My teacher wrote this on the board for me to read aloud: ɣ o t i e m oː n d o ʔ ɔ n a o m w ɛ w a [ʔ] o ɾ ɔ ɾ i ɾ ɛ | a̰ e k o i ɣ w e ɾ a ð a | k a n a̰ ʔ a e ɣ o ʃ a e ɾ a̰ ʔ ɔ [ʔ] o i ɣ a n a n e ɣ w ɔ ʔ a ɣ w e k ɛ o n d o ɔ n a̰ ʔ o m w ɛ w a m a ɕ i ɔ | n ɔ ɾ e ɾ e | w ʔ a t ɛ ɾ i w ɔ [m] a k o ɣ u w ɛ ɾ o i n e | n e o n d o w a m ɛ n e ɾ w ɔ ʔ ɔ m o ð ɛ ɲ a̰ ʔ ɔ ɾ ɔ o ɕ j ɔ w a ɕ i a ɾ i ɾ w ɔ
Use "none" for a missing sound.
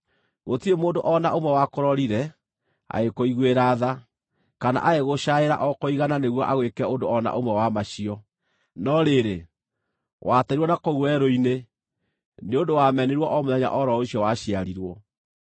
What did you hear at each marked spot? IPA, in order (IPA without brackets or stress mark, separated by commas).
k, k, n